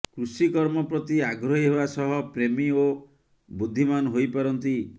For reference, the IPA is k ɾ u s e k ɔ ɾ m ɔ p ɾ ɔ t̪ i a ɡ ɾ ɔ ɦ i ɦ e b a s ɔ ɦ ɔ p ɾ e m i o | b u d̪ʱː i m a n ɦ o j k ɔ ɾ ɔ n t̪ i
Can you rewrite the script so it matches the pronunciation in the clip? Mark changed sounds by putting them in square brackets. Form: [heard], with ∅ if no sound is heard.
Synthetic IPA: k ɾ u s [i] k ɔ ɾ m ɔ p ɾ ɔ t̪ i a ɡ ɾ ɔ ɦ i ɦ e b a s ɔ ɦ ɔ p ɾ e m i o | b u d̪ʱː i m a n ɦ o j [p] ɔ ɾ ɔ n t̪ i